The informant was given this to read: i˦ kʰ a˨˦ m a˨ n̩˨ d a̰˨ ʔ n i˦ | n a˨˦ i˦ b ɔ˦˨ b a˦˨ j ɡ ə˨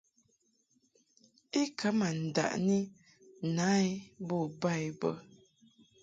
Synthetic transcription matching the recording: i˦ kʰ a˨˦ m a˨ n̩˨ d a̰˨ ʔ n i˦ | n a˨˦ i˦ b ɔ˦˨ b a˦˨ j b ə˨